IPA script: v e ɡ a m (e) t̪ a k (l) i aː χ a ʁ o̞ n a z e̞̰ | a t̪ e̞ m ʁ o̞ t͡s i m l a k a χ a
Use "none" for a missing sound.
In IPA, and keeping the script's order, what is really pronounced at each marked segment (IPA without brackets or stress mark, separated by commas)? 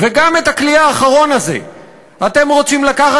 e, l